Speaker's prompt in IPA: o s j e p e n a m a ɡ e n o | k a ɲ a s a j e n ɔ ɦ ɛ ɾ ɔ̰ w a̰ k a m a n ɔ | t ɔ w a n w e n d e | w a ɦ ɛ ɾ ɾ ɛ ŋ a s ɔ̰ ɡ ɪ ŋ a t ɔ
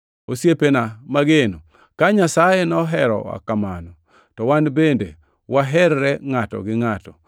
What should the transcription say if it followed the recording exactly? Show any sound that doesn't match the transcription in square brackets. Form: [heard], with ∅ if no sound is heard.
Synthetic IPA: o s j e p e n a m a ɡ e n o | k a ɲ a s a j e n ɔ ɦ ɛ ɾ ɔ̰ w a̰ k a m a n ɔ | t ɔ w a n [b] e n d e | w a ɦ ɛ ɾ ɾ ɛ ŋ a [t] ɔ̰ ɡ ɪ ŋ a t ɔ

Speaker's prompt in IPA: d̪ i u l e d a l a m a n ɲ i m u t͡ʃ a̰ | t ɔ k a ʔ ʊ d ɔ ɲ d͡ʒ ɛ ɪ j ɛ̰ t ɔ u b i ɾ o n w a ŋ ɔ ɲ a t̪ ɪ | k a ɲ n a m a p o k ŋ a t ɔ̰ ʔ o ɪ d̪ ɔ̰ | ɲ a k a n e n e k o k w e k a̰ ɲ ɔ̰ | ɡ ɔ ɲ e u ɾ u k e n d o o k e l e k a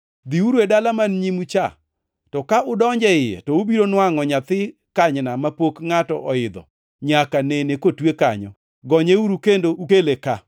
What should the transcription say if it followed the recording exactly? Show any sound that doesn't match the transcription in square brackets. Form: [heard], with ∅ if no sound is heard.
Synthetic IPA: d̪ i u [ɾ] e d a l a m a n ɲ i m u t͡ʃ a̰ | t ɔ k a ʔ ʊ d ɔ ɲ d͡ʒ ɛ ɪ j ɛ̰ t ɔ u b i ɾ o n w a ŋ ɔ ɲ a t̪ ɪ | k a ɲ n a m a p o k ŋ a t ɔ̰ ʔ [ɔ] ɪ d̪ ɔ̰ | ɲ a k a n e n e k o [t] w e k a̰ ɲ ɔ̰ | ɡ ɔ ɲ e u ɾ u k e n d o [u] k e l e k a

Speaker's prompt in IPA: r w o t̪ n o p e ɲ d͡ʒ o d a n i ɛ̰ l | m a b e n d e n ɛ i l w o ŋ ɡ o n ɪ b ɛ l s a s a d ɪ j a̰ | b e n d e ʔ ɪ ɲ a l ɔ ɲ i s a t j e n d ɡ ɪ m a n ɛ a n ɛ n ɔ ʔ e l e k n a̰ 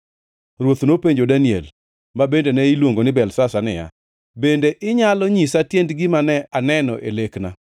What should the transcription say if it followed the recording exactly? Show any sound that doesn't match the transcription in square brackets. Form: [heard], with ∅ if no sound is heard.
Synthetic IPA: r w o t̪ n o p e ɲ d͡ʒ o d a n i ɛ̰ l | m a b e n d e n ɛ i l w o ŋ ɡ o n ɪ b ɛ l s a s a [n] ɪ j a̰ | b e n d e ʔ ɪ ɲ a l ɔ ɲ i s a t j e n d ɡ ɪ m a n ɛ a n ɛ n ɔ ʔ e l e k n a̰

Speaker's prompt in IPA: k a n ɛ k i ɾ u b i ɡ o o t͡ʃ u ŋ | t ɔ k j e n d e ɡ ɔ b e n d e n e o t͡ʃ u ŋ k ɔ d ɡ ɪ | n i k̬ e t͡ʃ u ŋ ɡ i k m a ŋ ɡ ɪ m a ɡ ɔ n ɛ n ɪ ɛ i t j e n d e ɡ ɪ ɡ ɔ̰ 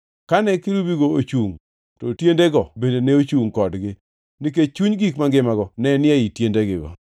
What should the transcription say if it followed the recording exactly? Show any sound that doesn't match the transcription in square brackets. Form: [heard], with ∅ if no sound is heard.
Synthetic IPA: k a n ɛ k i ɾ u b i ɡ o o t͡ʃ u ŋ | t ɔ [t] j e n d e ɡ ɔ b e n d e n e o t͡ʃ u ŋ k ɔ d ɡ ɪ | n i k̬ e t͡ʃ u [ɲ] ɡ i k m a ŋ ɡ ɪ m a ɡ ɔ n ɛ n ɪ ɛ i t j e n d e ɡ ɪ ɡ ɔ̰

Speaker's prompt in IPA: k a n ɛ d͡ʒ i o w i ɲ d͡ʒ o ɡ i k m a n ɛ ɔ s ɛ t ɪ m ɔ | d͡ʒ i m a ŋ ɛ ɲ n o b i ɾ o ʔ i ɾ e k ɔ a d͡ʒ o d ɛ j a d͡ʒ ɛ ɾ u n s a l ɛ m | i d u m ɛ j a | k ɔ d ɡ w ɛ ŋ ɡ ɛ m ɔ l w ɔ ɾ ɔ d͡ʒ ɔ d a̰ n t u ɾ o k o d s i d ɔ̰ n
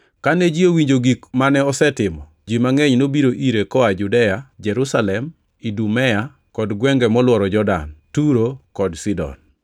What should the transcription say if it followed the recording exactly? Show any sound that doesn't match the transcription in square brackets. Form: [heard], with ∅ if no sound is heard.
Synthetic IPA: k a n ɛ d͡ʒ i o w i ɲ d͡ʒ o ɡ i k m a n ɛ ɔ s ɛ t ɪ m ɔ | d͡ʒ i m a ŋ ɛ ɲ n o b i ɾ o ʔ i ɾ e k ɔ a d͡ʒ [u] d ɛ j a d͡ʒ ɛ ɾ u [∅] s a l ɛ m | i d u m ɛ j a | k ɔ d ɡ w ɛ ŋ ɡ ɛ m ɔ l w ɔ ɾ ɔ d͡ʒ ɔ d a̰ n t u ɾ o k [ɔ] d s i d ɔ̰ n

